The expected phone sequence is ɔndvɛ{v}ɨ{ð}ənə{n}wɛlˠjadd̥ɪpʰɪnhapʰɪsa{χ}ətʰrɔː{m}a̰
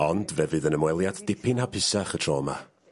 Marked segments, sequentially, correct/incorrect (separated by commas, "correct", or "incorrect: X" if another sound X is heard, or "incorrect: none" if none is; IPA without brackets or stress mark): correct, correct, incorrect: m, correct, correct